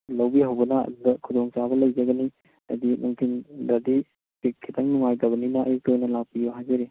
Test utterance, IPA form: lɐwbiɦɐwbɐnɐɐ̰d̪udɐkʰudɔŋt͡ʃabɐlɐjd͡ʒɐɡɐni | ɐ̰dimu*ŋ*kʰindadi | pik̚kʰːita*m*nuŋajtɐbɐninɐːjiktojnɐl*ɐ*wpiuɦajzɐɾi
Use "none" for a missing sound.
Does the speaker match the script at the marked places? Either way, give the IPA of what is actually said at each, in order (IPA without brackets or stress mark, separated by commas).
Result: ŋ, ŋ, a